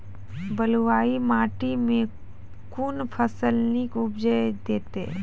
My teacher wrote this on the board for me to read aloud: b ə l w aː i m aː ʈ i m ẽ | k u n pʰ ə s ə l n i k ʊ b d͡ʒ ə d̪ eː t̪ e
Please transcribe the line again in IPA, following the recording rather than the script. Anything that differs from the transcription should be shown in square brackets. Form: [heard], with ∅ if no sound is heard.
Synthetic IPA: b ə l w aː i m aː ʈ i m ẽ | k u n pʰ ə s ə l n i k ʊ b d͡ʒ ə d̪ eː t̪ e